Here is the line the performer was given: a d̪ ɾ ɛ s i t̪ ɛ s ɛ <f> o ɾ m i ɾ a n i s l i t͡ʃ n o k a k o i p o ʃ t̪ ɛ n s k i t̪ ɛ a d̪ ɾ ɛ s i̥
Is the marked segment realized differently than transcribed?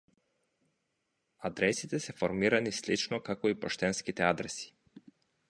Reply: no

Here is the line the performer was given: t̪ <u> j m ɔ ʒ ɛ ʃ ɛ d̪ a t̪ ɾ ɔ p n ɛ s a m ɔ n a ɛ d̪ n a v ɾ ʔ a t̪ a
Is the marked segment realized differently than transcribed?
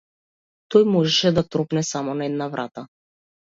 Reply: yes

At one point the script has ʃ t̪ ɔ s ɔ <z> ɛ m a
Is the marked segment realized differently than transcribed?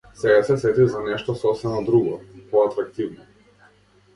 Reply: yes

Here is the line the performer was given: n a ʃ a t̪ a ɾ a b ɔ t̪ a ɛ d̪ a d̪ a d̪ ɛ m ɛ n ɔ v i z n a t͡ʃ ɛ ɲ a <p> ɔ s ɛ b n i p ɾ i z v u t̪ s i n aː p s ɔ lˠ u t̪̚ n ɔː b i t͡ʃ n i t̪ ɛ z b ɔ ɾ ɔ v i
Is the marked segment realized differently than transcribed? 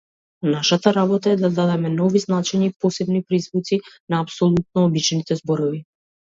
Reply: no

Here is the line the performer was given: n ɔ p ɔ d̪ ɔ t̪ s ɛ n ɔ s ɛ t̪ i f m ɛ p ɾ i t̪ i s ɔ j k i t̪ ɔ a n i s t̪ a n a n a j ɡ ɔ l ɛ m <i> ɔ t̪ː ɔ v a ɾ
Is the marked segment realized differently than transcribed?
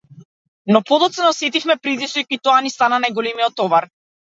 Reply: no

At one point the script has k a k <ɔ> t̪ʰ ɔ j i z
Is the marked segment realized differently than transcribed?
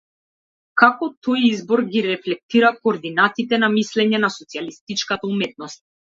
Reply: no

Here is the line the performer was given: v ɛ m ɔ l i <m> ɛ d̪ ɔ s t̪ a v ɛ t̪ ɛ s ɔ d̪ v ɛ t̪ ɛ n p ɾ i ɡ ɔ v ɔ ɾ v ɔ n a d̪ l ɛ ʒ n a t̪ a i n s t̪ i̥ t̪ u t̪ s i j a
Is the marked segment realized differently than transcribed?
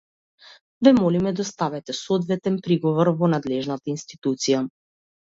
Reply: no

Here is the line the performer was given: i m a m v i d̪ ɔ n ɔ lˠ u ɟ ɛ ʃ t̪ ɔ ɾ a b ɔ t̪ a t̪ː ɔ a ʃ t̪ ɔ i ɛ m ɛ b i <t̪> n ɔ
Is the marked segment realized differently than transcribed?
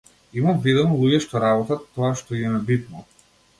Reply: no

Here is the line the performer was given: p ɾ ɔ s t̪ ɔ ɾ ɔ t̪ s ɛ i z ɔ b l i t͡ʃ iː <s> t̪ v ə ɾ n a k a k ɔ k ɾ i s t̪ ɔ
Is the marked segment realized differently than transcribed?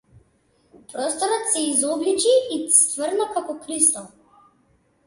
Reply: no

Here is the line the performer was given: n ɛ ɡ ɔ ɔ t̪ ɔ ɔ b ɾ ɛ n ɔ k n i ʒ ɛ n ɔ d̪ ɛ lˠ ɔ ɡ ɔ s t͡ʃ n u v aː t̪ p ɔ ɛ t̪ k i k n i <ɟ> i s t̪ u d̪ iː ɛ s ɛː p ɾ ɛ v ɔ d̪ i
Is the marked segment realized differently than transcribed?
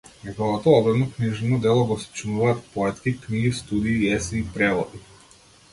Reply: yes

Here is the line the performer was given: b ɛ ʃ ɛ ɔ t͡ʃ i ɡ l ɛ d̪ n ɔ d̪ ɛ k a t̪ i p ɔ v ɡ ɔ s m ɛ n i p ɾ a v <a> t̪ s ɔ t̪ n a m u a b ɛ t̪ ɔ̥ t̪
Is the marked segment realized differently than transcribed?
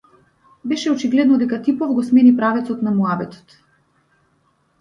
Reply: yes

